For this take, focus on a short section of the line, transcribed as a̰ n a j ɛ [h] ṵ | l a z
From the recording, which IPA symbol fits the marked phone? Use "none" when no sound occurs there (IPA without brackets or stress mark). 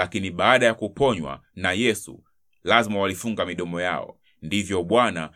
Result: s